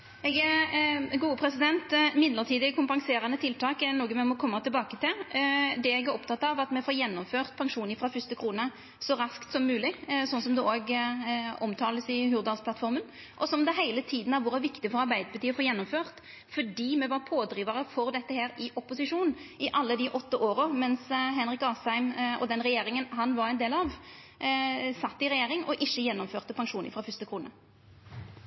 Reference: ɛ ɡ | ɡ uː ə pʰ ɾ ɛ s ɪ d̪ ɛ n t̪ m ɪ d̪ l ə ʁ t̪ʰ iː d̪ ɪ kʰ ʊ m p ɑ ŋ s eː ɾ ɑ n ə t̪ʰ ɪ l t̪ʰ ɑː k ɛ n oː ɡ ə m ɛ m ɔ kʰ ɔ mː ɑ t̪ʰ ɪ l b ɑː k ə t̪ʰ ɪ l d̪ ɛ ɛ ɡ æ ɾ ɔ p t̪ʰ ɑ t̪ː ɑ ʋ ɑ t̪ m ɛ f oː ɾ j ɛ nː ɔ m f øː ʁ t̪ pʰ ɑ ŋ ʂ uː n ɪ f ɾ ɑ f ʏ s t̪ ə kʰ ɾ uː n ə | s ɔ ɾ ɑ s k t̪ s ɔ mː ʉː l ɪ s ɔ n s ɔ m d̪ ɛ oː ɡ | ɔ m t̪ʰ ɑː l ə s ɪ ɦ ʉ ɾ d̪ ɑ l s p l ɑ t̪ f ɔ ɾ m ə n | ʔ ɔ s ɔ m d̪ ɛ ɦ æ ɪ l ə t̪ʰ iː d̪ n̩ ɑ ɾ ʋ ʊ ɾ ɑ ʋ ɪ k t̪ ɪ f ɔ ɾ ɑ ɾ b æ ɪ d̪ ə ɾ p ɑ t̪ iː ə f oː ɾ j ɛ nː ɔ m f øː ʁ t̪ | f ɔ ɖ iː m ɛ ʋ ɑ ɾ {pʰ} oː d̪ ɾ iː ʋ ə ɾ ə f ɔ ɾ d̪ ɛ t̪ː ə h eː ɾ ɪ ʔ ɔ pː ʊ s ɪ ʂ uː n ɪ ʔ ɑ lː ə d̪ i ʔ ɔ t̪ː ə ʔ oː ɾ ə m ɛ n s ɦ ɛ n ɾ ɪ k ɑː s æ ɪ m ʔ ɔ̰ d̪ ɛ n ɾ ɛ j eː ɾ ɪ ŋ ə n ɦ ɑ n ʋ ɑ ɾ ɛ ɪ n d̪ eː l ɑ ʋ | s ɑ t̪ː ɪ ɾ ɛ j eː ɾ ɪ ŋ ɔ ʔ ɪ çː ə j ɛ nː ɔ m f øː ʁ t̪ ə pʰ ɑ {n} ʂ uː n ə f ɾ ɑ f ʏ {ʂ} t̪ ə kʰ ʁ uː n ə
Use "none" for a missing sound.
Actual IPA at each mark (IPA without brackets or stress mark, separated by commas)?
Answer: pʰ, ŋ, s